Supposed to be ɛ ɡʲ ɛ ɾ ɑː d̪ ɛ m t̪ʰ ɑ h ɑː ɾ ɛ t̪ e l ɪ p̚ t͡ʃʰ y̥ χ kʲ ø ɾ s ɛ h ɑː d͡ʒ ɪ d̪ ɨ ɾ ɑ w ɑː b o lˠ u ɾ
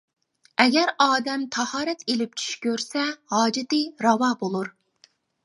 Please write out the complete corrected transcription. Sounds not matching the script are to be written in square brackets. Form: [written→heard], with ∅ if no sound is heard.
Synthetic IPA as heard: ɛ ɡʲ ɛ ɾ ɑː d̪ ɛ m t̪ʰ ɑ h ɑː ɾ ɛ t̪ e l ɪ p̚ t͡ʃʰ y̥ [χ→ʃ] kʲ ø ɾ s ɛ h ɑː d͡ʒ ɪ [d̪→t̪] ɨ ɾ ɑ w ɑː b o lˠ u ɾ